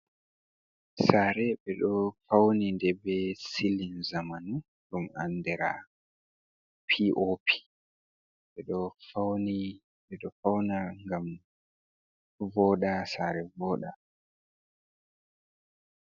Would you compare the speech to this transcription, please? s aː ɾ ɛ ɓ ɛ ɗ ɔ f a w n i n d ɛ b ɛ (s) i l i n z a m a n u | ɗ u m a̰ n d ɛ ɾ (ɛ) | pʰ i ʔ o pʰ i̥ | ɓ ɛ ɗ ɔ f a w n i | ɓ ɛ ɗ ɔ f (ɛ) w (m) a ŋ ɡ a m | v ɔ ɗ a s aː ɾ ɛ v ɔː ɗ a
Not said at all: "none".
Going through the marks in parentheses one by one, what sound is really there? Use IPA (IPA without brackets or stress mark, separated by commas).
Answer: s, a, a, n